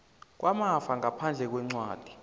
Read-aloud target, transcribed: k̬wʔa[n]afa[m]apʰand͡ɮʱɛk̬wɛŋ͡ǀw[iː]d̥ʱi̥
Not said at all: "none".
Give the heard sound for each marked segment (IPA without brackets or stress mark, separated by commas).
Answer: m, ŋ, aː